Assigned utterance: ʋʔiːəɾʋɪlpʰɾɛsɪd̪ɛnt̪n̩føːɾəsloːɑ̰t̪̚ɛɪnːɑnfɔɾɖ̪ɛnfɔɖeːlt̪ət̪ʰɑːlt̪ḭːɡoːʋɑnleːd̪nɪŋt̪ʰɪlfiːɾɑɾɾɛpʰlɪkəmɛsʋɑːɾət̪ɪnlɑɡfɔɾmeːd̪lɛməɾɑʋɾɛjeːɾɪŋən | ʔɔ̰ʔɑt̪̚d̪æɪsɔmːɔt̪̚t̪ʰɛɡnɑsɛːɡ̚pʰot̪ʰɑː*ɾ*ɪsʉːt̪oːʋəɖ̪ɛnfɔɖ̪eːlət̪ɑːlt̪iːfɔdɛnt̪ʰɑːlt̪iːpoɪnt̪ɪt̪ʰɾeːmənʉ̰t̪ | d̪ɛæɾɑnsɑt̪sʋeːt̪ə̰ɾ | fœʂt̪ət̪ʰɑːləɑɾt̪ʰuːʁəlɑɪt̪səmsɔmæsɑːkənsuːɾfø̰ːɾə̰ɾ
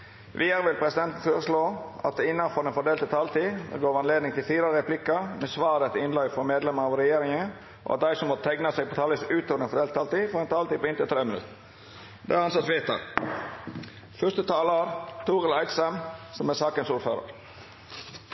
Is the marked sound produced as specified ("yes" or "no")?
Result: no